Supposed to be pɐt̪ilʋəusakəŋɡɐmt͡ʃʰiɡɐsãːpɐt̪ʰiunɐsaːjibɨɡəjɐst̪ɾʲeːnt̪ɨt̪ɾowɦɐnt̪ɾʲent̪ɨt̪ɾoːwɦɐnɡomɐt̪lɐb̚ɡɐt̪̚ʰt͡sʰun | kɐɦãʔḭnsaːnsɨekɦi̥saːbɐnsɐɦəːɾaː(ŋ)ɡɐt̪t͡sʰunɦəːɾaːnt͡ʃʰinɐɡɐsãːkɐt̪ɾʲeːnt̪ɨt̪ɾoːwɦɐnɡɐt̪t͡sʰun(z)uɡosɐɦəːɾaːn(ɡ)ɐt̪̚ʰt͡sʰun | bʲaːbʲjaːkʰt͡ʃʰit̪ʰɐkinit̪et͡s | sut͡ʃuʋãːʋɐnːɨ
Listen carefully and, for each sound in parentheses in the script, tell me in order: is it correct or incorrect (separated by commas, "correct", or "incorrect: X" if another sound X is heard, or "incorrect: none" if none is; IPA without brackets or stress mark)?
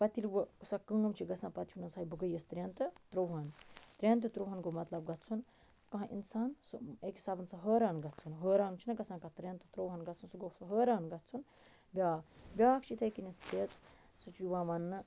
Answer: incorrect: n, incorrect: s, correct